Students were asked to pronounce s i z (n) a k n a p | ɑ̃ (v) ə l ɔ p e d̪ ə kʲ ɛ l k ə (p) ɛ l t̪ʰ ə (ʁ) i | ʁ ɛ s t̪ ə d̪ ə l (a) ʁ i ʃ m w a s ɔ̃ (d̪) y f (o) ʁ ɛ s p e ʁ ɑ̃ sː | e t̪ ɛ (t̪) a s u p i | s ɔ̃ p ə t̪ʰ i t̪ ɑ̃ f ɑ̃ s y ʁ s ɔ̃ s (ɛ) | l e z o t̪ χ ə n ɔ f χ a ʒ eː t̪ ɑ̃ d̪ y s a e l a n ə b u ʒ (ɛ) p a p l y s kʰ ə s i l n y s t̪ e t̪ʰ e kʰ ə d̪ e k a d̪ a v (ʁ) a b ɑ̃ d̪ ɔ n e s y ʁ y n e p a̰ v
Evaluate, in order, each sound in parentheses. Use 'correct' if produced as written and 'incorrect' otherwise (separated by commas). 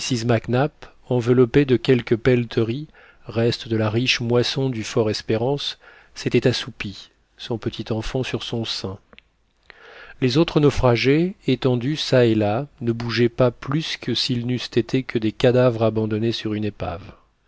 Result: incorrect, correct, correct, correct, correct, correct, incorrect, correct, incorrect, correct, correct